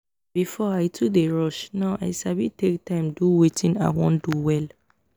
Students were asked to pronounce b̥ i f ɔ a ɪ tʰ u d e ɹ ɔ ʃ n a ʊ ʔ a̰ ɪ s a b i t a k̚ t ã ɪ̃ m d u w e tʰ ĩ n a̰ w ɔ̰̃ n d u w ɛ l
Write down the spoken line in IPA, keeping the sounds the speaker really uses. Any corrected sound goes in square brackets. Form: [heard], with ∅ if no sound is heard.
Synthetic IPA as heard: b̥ i f ɔ a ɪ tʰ u d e ɹ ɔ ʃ n a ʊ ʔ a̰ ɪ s a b i t [e] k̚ t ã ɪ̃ m d u w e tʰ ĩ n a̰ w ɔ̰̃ n d u w ɛ l